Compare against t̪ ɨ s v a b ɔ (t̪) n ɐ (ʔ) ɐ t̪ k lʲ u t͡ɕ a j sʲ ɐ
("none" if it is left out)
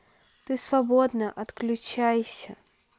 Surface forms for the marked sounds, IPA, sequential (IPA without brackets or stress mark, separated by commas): d̪, ʔ